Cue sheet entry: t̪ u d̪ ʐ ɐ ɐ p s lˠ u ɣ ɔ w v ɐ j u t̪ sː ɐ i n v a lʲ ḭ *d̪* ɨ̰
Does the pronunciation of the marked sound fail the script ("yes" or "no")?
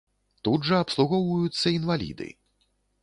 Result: no